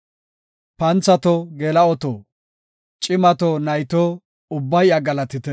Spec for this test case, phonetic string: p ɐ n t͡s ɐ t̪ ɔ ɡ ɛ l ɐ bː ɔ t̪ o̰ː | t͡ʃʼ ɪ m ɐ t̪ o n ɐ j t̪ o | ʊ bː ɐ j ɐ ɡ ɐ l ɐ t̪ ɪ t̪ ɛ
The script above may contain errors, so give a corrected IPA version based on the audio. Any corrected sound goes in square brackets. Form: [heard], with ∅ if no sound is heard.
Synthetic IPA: p ɐ n t͡s ɐ t̪ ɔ ɡ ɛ l ɐ [∅] ɔ t̪ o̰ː | t͡ʃʼ ɪ m ɐ t̪ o n ɐ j t̪ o | ʊ bː ɐ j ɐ ɡ ɐ l ɐ t̪ ɪ t̪ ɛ

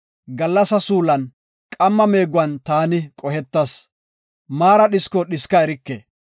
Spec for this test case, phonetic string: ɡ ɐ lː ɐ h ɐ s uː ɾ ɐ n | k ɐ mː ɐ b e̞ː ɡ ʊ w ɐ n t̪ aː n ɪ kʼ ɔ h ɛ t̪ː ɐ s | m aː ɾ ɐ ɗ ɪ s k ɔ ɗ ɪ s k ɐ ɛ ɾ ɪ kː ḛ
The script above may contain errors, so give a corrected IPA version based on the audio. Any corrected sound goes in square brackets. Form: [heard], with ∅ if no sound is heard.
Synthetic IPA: ɡ ɐ lː ɐ [s] ɐ s uː [l] ɐ n | [kʼ] ɐ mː ɐ [m] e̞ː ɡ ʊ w ɐ n t̪ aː n ɪ kʼ ɔ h ɛ t̪ː ɐ s | m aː ɾ ɐ ɗ ɪ s k ɔ ɗ ɪ s k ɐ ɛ ɾ ɪ kː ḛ

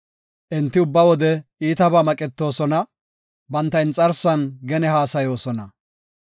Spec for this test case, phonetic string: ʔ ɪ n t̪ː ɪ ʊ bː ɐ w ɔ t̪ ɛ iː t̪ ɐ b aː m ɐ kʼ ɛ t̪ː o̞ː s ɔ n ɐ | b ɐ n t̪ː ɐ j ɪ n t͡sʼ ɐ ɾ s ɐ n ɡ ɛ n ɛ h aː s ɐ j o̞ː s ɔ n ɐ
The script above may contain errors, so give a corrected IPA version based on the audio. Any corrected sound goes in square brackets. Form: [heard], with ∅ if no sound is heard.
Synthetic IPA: ʔ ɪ n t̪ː ɪ ʊ bː ɐ w ɔ [d̪] ɛ iː t̪ ɐ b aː m ɐ kʼ ɛ t̪ː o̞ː s ɔ n ɐ | b ɐ n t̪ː ɐ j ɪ n t͡sʼ ɐ ɾ s ɐ n ɡ ɛ n ɛ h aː s ɐ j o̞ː s ɔ n ɐ

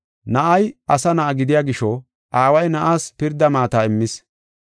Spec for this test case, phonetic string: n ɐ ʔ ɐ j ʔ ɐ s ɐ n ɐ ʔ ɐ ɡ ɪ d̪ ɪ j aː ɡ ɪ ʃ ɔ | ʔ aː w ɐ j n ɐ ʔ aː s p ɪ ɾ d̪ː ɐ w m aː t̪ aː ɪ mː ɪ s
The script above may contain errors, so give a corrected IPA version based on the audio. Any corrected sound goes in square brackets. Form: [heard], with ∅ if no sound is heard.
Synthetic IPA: n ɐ ʔ ɐ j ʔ ɐ s ɐ n ɐ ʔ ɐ ɡ ɪ d̪ ɪ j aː ɡ ɪ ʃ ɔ | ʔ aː w ɐ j n ɐ ʔ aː s p ɪ ɾ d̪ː ɐ [∅] m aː t̪ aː ɪ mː ɪ s

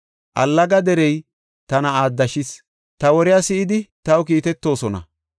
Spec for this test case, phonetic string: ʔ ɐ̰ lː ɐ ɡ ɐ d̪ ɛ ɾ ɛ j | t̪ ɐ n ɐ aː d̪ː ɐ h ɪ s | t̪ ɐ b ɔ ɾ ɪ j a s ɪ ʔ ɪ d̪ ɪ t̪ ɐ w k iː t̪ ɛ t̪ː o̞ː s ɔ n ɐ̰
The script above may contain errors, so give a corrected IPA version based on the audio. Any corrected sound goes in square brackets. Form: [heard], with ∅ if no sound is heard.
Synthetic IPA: ʔ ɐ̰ lː ɐ ɡ ɐ d̪ ɛ ɾ ɛ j | t̪ ɐ n ɐ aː d̪ː ɐ [ʃ] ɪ s | t̪ ɐ [w] ɔ ɾ ɪ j a s ɪ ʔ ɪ d̪ ɪ t̪ ɐ w k iː t̪ ɛ t̪ː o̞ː s ɔ n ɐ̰

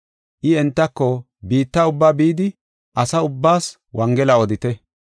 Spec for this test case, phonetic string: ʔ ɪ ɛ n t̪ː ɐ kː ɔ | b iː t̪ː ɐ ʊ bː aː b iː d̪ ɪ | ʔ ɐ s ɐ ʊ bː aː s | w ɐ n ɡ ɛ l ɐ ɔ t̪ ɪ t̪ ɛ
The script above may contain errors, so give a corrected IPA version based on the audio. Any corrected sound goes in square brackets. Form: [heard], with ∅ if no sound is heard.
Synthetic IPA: ʔ ɪ ɛ n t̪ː ɐ kː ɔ | b iː t̪ː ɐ ʊ bː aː b iː d̪ ɪ | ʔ ɐ s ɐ ʊ bː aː s | w ɐ [ŋ] ɡ ɛ l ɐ ɔ [d̪] ɪ t̪ ɛ

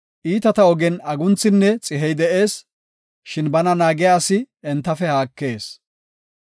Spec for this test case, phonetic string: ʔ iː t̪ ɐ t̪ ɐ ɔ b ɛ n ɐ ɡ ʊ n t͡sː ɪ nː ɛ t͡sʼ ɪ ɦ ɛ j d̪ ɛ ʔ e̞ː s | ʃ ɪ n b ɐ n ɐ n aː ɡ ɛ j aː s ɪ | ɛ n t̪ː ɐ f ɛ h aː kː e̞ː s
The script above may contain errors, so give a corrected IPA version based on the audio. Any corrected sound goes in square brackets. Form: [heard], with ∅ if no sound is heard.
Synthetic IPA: ʔ iː t̪ ɐ t̪ ɐ ɔ [ɡ] ɛ n ɐ ɡ ʊ n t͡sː ɪ nː ɛ t͡sʼ ɪ ɦ ɛ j d̪ ɛ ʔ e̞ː s | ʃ ɪ n b ɐ n ɐ n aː ɡ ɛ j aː s ɪ | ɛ n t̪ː ɐ f ɛ h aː kː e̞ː s

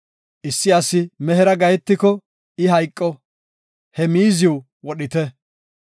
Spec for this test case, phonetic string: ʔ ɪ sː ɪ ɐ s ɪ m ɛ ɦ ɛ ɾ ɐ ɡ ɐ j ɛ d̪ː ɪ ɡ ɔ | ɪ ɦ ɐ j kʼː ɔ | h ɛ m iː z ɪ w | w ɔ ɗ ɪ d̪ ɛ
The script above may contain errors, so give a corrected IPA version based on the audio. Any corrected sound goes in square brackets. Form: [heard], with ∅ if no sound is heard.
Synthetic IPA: ʔ ɪ sː ɪ ɐ s ɪ m ɛ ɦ ɛ ɾ ɐ ɡ ɐ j ɛ [t̪ː] ɪ [k] ɔ | ɪ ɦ ɐ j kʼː ɔ | h ɛ m iː z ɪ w | w ɔ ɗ ɪ [t̪] ɛ

